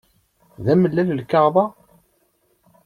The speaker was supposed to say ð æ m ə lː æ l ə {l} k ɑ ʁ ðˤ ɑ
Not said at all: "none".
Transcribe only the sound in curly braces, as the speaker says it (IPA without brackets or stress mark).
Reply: l